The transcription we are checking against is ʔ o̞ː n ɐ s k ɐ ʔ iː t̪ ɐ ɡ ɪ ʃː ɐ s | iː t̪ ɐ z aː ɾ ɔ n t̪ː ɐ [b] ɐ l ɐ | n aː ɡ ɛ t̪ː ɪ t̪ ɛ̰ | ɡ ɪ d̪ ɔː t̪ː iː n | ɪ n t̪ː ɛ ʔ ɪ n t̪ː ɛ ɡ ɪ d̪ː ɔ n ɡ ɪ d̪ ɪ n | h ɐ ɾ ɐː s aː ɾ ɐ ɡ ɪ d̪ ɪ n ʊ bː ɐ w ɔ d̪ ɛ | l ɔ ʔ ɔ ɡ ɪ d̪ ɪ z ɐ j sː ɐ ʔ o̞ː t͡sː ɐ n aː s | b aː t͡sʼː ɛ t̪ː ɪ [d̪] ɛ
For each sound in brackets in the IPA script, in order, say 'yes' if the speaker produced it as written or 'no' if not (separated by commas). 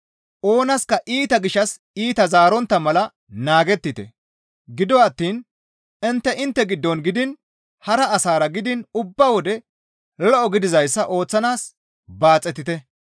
no, no